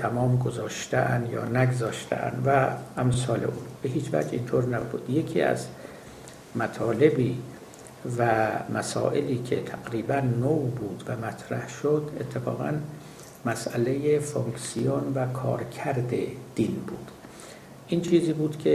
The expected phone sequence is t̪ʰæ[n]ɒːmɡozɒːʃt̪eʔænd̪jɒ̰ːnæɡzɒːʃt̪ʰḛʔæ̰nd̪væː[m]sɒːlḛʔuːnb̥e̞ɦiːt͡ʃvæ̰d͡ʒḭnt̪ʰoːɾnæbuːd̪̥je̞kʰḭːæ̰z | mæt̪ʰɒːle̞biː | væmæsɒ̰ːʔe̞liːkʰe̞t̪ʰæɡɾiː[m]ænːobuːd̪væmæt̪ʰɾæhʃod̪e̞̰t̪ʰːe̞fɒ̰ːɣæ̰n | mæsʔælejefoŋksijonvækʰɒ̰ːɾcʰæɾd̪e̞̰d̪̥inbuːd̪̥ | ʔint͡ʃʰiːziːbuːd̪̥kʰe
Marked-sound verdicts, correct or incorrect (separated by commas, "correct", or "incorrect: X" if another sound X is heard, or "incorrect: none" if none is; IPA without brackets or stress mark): incorrect: m, correct, incorrect: b